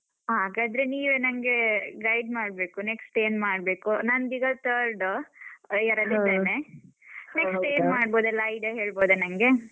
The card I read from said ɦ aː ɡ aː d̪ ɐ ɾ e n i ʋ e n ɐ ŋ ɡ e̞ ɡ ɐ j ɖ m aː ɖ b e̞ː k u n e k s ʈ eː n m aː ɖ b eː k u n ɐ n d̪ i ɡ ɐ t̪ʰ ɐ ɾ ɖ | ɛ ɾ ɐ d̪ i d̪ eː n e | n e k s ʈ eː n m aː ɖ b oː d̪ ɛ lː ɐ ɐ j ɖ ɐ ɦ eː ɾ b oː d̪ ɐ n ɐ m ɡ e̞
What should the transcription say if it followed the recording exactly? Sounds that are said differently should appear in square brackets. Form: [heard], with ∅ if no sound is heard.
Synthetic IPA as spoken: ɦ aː ɡ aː d̪ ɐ ɾ e n [iː] ʋ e n ɐ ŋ ɡ e̞ ɡ ɐ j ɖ m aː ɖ b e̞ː k u n e k s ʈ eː n m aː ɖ b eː k u n ɐ n d̪ i ɡ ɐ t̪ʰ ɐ ɾ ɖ | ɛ ɾ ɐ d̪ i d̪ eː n e | n e k s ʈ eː n m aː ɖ b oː d̪ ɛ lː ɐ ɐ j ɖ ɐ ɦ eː [ɭ] b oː d̪ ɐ n ɐ [ŋ] ɡ e̞